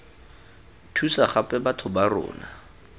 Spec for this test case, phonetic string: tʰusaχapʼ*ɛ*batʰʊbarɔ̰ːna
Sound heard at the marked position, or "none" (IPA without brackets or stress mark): ɛ